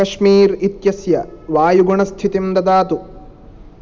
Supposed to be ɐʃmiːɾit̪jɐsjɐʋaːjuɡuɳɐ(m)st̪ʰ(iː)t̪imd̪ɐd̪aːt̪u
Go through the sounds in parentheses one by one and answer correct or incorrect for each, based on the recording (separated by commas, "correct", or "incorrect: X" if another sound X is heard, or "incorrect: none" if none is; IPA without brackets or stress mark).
incorrect: none, incorrect: i